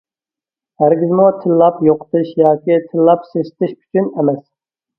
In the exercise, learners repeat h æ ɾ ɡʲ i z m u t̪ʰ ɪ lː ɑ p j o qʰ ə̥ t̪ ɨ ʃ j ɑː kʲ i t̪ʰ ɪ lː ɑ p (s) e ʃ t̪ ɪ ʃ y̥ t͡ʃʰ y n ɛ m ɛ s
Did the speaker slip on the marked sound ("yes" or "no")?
no